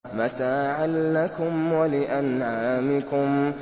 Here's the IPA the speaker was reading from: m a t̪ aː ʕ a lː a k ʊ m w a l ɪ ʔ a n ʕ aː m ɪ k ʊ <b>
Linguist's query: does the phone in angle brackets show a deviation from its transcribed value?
yes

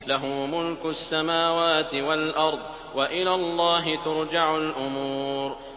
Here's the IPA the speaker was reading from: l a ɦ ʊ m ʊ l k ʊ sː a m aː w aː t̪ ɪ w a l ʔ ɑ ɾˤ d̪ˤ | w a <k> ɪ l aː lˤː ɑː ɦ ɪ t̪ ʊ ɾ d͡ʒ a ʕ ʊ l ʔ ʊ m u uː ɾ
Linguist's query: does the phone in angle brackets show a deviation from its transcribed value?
yes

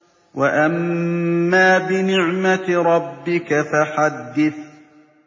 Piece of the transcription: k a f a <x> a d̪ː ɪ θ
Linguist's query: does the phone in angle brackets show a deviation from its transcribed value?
yes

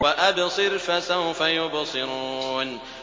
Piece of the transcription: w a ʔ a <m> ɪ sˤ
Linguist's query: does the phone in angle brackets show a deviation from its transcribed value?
yes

